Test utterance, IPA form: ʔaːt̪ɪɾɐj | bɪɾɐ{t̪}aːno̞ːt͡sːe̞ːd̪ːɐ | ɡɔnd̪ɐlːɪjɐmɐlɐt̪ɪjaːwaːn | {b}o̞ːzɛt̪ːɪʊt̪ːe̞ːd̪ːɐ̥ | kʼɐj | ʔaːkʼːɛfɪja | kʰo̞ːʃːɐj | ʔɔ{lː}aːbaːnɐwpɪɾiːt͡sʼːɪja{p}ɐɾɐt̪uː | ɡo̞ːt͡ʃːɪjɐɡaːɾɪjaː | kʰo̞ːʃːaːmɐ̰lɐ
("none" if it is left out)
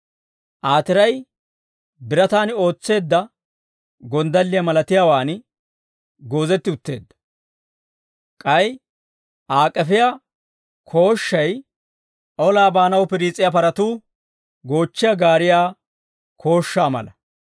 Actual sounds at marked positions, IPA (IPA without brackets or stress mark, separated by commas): t̪, ɡ, l, p